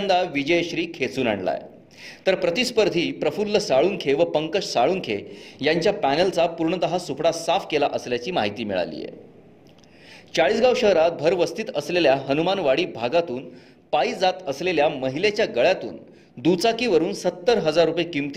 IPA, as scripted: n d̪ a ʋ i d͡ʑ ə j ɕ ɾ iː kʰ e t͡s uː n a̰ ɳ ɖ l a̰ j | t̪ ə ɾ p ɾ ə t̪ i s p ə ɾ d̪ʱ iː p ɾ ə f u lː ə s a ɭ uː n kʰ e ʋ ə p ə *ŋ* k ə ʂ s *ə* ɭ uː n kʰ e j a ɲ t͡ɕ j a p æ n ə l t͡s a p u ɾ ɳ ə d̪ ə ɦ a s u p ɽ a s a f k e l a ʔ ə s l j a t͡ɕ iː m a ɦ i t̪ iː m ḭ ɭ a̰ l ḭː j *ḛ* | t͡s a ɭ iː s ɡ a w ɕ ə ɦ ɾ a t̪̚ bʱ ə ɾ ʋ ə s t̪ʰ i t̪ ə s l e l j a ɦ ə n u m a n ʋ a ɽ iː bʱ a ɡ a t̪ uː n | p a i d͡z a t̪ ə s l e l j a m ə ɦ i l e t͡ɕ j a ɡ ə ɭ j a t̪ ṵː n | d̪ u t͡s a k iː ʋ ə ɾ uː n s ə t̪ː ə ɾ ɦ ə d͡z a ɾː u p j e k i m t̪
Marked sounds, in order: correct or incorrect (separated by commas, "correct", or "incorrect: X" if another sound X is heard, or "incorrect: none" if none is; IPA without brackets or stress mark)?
correct, incorrect: a, correct